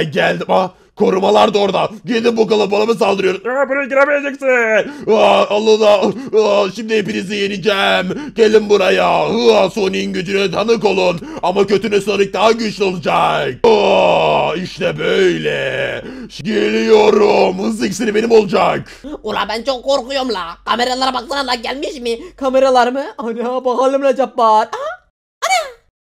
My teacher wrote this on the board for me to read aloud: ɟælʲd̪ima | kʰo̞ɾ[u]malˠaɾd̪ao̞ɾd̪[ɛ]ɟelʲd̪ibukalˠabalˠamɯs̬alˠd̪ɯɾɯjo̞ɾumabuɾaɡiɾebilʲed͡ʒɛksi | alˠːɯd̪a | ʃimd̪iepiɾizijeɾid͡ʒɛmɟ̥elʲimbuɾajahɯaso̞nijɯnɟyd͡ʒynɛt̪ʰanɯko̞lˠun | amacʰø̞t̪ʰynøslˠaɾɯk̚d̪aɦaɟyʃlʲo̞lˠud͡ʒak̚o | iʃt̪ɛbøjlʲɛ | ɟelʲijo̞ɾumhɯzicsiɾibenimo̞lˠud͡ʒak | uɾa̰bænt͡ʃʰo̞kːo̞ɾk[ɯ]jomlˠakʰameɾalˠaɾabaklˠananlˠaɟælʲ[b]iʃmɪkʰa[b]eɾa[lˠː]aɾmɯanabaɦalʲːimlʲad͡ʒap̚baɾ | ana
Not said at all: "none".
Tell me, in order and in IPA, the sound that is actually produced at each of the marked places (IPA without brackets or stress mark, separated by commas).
u, a, u, m, m, lˠ